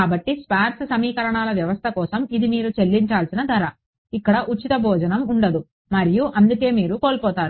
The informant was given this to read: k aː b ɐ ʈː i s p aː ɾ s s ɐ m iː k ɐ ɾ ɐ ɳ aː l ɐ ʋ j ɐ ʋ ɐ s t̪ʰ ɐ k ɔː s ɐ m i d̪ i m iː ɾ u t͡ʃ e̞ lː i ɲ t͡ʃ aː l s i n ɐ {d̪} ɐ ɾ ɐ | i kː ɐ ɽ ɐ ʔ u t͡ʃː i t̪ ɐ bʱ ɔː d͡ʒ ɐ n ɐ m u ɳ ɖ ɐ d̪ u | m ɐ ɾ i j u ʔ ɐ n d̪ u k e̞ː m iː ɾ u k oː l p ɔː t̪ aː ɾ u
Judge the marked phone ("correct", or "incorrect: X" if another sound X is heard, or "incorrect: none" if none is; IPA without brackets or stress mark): correct